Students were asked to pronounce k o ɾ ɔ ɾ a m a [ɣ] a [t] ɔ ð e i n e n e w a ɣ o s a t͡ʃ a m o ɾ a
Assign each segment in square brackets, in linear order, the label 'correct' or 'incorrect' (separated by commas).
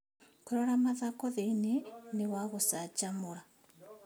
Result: incorrect, incorrect